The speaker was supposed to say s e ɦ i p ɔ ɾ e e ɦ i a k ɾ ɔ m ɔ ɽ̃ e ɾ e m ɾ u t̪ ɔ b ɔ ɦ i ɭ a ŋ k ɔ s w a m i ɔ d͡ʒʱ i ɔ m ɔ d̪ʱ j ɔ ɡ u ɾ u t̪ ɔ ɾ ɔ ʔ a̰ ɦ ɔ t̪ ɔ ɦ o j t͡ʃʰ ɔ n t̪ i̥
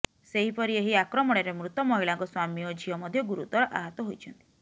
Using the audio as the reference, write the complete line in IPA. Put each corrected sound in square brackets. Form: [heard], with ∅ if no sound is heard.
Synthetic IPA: s e ɦ i p ɔ ɾ [i] e ɦ i a k ɾ ɔ m ɔ ɽ̃ e ɾ e m ɾ u t̪ ɔ [m] ɔ ɦ i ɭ a ŋ k ɔ s w a m i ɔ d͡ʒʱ i ɔ m ɔ d̪ʱ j ɔ ɡ u ɾ u t̪ ɔ ɾ ɔ ʔ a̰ ɦ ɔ t̪ ɔ ɦ o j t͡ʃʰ ɔ n t̪ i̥